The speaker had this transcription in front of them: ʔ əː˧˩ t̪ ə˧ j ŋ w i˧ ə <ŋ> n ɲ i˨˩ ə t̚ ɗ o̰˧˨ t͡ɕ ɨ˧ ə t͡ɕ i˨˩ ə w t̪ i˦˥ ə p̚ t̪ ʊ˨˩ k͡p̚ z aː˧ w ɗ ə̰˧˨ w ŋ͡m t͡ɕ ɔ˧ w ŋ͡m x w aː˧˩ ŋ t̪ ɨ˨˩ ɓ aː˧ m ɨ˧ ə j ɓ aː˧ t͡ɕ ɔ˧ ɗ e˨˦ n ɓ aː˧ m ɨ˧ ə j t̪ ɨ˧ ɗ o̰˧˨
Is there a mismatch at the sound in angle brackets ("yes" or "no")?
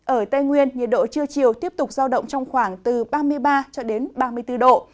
yes